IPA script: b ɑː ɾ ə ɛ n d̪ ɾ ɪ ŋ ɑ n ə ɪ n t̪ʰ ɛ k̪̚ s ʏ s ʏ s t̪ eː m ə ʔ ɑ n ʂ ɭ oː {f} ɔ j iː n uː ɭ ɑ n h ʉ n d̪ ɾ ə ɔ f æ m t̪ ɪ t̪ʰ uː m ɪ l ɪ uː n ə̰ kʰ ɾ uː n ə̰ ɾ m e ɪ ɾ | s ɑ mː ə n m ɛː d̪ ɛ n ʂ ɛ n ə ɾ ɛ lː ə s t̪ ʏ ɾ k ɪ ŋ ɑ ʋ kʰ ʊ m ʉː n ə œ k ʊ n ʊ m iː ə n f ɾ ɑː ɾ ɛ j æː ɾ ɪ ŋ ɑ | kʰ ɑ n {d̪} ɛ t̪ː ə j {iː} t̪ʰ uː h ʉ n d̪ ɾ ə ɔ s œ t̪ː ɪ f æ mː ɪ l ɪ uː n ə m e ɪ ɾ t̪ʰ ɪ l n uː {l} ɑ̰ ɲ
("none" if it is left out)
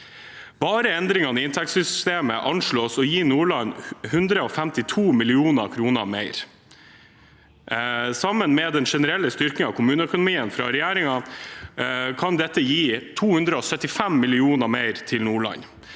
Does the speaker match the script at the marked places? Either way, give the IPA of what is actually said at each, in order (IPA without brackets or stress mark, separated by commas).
s, d̪, iː, ɭ